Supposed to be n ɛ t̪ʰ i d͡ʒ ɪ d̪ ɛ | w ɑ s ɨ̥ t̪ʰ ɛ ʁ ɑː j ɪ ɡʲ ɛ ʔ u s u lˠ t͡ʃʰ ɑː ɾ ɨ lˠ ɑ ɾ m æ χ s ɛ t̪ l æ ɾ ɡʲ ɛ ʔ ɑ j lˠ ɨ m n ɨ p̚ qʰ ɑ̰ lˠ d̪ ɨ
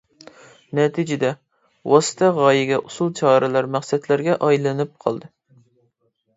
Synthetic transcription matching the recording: n ɛ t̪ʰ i d͡ʒ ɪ d̪ ɛ | w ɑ s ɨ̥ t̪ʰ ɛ ʁ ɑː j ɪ ɡʲ ɛ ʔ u s u lˠ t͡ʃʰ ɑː ɾ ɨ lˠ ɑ ɾ m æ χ s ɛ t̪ l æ ɾ ɡʲ ɛ ʔ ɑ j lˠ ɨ n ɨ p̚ qʰ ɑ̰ lˠ d̪ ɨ